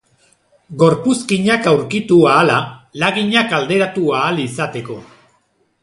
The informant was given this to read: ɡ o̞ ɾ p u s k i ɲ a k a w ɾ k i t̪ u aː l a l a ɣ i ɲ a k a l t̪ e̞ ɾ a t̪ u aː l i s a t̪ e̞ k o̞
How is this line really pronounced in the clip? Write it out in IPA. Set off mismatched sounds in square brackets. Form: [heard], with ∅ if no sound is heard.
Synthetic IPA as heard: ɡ o̞ ɾ p u s k i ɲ a k a w ɾ k i t̪ u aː l a l a ɣ i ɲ a k a l [d̪] e̞ ɾ a t̪ u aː l i s a t̪ e̞ k o̞